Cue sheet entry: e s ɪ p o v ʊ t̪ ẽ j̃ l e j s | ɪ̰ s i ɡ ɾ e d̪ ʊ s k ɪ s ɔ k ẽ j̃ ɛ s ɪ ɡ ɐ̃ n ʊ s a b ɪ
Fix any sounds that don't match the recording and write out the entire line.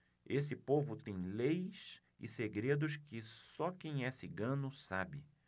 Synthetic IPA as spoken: e s ɪ p o v ʊ t̪ ẽ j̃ l e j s | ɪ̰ s e ɡ ɾ e d̪ ʊ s k ɪ s ɔ k ẽ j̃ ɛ s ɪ ɡ ɐ̃ n ʊ s a b ɪ